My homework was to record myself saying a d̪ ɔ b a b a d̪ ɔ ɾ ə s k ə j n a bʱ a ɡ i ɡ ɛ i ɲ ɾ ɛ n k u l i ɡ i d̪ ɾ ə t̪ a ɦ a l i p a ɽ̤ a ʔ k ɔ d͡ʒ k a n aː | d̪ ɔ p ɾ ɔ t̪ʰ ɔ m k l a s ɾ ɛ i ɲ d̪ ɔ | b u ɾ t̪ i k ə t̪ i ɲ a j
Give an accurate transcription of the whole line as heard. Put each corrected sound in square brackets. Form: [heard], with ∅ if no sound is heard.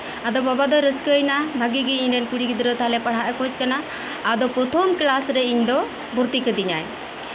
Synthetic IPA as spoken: a d̪ ɔ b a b a d̪ ɔ ɾ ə s k ə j n a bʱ a ɡ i ɡ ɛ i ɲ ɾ ɛ n k u [ɽ] i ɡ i d̪ ɾ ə t̪ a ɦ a l [ɛ] p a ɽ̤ a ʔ k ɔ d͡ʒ k a n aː | d̪ ɔ p ɾ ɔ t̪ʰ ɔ m k l a s ɾ ɛ i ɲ d̪ ɔ | b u ɾ t̪ i k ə [d̪] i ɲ a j

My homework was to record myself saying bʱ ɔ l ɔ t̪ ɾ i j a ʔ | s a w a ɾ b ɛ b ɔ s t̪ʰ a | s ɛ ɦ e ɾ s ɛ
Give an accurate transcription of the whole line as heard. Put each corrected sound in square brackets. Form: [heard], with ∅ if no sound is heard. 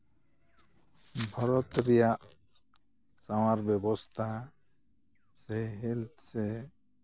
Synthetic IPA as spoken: bʱ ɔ [ɾ] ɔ t̪ ɾ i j a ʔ | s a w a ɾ b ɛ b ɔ s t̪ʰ a | s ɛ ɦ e [l] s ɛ

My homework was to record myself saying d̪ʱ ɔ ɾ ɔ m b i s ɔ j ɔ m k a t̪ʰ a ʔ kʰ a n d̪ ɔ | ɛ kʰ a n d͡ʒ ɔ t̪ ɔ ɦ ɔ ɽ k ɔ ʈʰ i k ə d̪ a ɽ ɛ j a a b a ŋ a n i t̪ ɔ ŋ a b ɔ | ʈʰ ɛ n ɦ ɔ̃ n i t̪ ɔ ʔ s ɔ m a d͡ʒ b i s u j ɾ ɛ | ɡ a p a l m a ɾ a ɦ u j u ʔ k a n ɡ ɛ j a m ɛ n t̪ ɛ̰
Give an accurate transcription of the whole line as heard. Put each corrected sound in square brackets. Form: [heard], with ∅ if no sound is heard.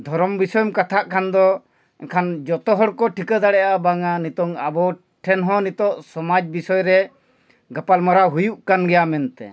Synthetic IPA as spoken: d̪ʱ ɔ ɾ ɔ m b i s ɔ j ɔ m k a t̪ʰ a ʔ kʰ a n d̪ ɔ | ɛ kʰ a n d͡ʒ ɔ t̪ ɔ ɦ ɔ ɽ k ɔ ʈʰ i k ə d̪ a ɽ ɛ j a a b a ŋ a n i t̪ ɔ ŋ a b ɔ | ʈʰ ɛ n ɦ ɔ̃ n i t̪ ɔ ʔ s ɔ m a d͡ʒ b i s [ɔ] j ɾ ɛ | ɡ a p a l m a ɾ a ɦ u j u ʔ k a n ɡ ɛ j a m ɛ n t̪ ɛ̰

